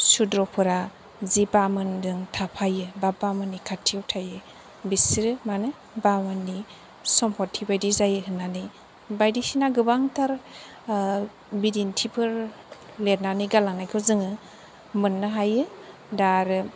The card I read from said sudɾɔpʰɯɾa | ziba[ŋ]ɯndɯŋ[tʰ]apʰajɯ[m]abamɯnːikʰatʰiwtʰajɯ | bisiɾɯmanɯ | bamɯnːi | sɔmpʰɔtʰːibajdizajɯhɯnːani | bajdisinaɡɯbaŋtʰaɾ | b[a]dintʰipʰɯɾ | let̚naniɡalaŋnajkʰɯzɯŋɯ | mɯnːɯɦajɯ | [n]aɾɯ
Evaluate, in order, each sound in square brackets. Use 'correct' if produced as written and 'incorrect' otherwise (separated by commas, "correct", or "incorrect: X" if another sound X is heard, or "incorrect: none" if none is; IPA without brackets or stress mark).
incorrect: m, correct, incorrect: b, incorrect: i, incorrect: d